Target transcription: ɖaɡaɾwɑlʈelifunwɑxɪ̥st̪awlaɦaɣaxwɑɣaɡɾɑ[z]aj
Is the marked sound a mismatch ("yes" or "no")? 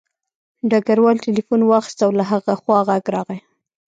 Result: yes